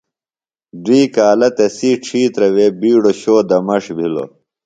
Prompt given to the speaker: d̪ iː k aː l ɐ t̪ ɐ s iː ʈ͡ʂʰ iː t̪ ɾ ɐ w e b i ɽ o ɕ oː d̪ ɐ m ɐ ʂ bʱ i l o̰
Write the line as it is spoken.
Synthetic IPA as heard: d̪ iː k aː l ɐ t̪ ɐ s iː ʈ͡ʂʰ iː t̪ ɾ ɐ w e b iː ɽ o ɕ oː d̪ ɐ m ɐ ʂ bʱ i l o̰